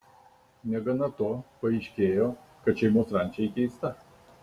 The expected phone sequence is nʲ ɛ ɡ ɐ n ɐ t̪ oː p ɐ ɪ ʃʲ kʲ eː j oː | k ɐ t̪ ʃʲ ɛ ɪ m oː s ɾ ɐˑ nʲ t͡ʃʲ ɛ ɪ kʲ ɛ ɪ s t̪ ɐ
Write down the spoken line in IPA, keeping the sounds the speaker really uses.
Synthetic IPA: nʲ ɛ ɡ ɐ n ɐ t̪ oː p ɐ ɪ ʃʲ kʲ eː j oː | k ɐ t̪ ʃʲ ɛ ɪ m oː s ɾ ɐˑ nʲ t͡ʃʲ ɛ ɪ kʲ ɛ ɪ s t̪ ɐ